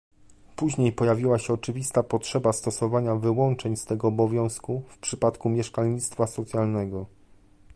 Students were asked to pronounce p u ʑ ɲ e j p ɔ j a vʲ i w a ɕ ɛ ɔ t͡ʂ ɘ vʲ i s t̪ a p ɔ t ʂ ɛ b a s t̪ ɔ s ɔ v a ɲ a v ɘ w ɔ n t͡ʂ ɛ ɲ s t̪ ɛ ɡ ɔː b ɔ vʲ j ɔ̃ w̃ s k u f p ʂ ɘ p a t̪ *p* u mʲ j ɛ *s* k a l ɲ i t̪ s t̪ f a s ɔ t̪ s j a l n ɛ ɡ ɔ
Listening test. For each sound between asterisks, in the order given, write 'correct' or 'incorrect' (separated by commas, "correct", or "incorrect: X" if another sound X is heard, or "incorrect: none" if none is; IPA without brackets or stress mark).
incorrect: k, incorrect: ʂ